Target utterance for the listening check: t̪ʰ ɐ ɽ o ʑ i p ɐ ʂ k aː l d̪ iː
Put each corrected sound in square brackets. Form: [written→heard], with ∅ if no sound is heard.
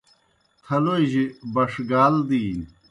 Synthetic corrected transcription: t̪ʰ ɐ [ɽ→l] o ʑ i [p→b] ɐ ʂ [k→ɡ] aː l d̪ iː